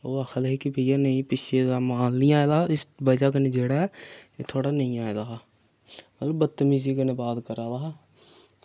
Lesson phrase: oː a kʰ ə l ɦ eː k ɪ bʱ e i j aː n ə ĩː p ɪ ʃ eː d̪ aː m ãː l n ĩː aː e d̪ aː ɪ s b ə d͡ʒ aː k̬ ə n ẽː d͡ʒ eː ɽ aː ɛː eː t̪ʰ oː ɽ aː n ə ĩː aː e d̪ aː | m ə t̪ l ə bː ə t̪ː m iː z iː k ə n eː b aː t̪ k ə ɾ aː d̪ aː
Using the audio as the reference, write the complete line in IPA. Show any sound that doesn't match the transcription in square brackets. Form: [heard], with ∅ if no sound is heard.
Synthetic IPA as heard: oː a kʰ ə l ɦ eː k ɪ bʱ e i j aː n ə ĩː p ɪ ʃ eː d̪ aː m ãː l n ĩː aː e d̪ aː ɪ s b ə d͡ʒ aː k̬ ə n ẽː d͡ʒ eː ɽ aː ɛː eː t̪ʰ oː ɽ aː n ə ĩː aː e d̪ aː | m ə t̪ l ə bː ə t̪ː m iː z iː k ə n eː b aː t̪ k ə ɾ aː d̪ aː

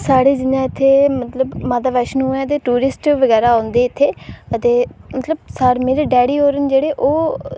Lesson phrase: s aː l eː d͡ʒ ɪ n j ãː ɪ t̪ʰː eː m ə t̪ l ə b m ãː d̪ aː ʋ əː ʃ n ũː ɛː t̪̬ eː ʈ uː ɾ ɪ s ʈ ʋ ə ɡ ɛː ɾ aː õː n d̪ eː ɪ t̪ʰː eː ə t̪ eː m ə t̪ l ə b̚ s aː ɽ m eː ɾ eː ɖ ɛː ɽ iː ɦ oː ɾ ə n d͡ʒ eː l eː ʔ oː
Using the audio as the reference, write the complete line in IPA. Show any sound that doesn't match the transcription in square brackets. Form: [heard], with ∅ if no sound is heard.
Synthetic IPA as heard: s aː [ɽ] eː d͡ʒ ɪ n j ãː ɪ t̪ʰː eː m ə t̪ l ə b m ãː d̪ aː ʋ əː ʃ n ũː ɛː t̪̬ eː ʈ uː ɾ ɪ s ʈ ʋ ə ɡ ɛː ɾ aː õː n d̪ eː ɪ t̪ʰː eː ə t̪ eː m ə t̪ l ə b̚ s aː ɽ m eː ɾ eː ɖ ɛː ɽ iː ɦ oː ɾ ə n d͡ʒ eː [ɽ] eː ʔ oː

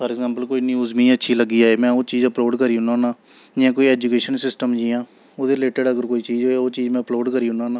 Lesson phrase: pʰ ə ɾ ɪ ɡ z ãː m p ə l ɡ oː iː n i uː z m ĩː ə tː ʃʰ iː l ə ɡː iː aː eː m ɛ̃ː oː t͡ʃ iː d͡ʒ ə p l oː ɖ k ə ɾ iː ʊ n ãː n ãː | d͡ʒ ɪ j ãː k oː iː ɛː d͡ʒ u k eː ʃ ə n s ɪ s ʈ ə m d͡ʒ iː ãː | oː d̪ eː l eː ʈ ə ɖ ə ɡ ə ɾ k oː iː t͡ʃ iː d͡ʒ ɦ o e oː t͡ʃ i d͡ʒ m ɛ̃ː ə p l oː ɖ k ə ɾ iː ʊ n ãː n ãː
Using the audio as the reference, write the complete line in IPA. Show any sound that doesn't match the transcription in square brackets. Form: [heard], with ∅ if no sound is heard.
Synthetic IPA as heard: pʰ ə ɾ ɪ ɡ z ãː m p ə l [k] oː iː n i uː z m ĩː ə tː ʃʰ iː l ə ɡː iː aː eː m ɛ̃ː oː t͡ʃ iː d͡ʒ ə p l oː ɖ k ə ɾ iː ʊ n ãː n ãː | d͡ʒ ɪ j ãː k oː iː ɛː d͡ʒ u k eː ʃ ə n s ɪ s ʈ ə m d͡ʒ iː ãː | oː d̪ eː l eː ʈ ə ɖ ə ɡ ə ɾ k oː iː t͡ʃ iː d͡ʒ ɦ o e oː t͡ʃ [iː] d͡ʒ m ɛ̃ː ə p l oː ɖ k ə ɾ iː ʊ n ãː n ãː

